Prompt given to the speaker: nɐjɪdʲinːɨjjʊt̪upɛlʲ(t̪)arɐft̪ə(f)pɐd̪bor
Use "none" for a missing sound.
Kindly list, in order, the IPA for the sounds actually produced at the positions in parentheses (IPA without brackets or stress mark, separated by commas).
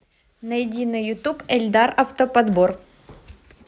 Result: d̪, none